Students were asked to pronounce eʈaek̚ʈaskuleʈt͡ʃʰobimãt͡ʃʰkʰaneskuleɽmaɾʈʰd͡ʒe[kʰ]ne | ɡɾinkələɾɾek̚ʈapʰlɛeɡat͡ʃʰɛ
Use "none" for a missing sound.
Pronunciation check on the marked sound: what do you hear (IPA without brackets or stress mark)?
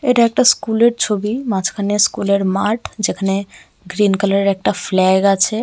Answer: kʰ